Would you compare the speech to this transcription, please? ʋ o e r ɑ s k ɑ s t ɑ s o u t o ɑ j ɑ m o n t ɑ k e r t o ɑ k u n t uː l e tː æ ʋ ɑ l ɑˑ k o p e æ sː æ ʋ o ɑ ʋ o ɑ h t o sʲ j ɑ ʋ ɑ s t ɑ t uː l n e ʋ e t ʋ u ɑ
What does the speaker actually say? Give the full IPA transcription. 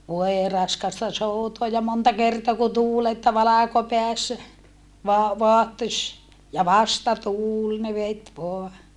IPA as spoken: ʋ o e r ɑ s k ɑ s t ɑ s o u t o ɑ j ɑ m o n t ɑ k e r t o ɑ k u n t uː l e tː æ ʋ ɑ l ɑˑ k o p e æ sː æ ʋ o ɑ ʋ o ɑ h t o sʲ j ɑ ʋ ɑ s t ɑ t uː l n e ʋ e t ʋ o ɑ